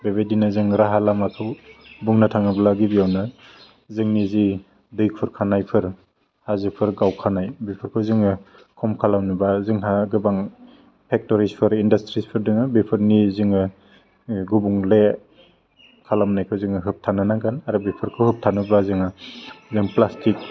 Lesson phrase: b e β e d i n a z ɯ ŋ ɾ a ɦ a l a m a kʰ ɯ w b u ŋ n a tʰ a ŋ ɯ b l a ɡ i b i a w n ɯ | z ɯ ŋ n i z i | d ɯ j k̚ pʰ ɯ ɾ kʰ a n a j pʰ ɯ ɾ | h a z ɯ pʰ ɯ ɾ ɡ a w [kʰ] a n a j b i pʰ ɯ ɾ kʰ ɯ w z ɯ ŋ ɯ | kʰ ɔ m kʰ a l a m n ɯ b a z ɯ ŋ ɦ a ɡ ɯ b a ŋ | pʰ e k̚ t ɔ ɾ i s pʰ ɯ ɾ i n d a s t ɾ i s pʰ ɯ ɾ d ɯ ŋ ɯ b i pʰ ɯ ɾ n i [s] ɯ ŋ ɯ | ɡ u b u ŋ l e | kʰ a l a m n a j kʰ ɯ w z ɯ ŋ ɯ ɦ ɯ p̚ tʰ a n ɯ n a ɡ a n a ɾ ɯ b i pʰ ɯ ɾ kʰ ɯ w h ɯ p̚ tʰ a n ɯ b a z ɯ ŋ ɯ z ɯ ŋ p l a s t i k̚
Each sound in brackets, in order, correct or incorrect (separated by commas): correct, incorrect